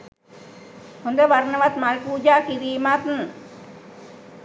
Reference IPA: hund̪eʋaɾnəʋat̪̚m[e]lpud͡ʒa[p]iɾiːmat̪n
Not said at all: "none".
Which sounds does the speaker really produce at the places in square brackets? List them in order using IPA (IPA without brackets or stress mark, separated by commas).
a, k